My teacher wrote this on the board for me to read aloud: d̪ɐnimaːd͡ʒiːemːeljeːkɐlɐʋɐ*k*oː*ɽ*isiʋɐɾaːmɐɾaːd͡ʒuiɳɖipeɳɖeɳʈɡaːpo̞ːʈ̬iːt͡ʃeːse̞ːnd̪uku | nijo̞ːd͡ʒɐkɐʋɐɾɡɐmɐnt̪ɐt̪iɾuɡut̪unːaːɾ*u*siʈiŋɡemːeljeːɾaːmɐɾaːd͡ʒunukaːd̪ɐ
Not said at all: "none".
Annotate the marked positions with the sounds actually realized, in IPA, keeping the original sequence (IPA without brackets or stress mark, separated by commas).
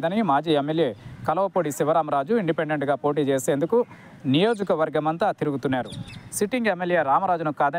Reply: p, ɽ, u